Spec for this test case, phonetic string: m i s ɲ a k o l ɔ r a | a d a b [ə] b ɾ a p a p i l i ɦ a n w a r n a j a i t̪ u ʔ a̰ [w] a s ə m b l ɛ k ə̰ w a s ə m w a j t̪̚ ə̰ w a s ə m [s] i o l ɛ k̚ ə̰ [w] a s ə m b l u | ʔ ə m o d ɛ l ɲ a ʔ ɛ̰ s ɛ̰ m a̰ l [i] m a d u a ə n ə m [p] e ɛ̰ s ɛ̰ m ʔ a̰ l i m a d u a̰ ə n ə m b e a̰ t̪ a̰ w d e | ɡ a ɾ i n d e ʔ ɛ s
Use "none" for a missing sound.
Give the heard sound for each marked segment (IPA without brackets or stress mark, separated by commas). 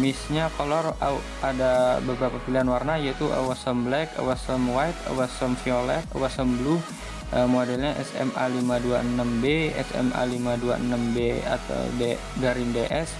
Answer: ə, w, f, w, i, b